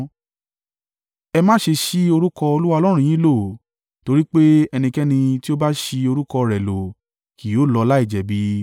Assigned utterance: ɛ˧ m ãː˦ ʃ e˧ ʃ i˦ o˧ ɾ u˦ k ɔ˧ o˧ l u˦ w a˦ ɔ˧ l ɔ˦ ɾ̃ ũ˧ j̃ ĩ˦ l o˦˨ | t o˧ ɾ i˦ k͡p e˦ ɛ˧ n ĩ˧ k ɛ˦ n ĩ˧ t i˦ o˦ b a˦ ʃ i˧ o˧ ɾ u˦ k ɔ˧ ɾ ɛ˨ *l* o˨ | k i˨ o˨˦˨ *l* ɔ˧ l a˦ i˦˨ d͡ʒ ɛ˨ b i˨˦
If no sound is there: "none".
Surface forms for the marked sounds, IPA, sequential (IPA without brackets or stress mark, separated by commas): l, l